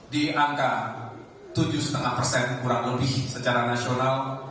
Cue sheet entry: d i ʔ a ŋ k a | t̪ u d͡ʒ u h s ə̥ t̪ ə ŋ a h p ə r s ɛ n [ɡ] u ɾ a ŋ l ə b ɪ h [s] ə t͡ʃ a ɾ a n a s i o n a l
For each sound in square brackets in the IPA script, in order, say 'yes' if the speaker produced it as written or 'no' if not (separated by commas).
no, yes